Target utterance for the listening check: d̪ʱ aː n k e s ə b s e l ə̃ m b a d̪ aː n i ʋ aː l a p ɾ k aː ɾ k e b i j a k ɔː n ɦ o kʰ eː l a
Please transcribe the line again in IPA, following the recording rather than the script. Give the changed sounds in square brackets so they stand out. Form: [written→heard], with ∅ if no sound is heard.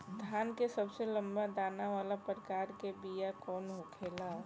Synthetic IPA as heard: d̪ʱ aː n k e s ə b s e l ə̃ m b a d̪ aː n [i→a] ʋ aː l a p ɾ k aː ɾ k e b i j a k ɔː n ɦ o kʰ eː l a